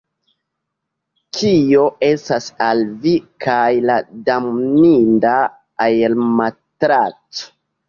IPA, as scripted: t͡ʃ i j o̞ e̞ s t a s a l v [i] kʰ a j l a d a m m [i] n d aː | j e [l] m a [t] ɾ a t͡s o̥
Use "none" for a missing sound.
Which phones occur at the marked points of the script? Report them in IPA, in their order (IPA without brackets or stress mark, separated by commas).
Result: i, i, l, t